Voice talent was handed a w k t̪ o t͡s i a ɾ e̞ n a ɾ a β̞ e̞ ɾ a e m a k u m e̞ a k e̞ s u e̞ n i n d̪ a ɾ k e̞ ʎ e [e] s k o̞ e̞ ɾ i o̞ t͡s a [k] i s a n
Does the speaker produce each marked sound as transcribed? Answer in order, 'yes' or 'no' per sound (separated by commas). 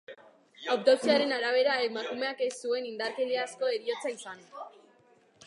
no, no